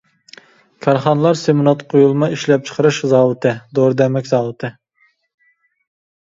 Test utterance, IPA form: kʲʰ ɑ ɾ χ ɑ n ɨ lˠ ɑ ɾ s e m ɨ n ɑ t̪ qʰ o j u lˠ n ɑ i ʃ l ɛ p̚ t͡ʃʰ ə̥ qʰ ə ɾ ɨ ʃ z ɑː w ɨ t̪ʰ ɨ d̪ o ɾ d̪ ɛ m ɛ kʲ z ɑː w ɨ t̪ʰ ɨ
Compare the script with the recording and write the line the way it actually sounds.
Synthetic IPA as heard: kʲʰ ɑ ɾ χ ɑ n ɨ lˠ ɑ ɾ s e m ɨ n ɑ t̪ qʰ o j u lˠ m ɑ i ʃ l ɛ p̚ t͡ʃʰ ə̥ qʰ ə ɾ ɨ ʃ z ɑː w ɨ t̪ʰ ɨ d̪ o ɾ d̪ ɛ m ɛ kʲ z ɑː w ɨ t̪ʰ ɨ

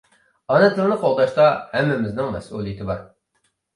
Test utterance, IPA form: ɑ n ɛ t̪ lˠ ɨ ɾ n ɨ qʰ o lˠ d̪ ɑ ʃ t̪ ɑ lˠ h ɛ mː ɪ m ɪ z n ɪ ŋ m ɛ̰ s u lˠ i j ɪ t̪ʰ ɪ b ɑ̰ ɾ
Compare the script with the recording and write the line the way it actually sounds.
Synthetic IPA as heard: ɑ n ɛ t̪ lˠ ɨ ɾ n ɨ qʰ o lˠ d̪ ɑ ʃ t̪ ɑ h ɛ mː ɪ m ɪ z n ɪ ŋ m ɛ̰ s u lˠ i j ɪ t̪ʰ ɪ b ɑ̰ ɾ

